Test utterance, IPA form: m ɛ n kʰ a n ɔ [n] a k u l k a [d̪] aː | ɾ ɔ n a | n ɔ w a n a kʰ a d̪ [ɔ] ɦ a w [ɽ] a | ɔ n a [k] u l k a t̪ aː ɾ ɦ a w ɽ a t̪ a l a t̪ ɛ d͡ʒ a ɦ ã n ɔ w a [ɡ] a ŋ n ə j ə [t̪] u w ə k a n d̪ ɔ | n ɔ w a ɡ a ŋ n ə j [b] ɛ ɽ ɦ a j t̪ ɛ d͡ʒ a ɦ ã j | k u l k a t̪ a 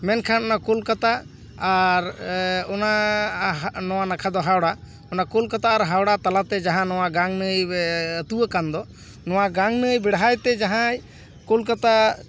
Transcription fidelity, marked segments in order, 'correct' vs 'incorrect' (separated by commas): correct, incorrect, correct, correct, correct, correct, correct, correct